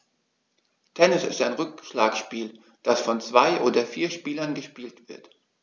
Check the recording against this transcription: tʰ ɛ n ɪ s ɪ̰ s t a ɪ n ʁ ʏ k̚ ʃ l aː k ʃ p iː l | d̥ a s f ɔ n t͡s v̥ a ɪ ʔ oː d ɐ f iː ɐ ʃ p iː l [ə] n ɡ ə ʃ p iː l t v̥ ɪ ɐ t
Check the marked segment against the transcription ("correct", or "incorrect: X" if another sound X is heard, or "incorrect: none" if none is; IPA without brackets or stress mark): incorrect: ɐ